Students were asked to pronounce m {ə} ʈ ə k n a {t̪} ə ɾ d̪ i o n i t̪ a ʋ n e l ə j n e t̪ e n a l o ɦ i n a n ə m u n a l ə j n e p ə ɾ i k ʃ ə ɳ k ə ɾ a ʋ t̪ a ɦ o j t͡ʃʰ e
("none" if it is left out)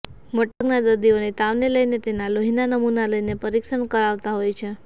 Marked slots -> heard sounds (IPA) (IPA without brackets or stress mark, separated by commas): ə, d̪